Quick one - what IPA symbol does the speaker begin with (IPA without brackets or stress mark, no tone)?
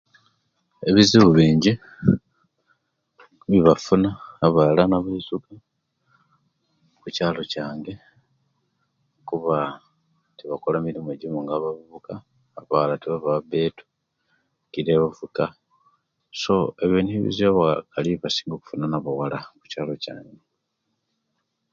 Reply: e̞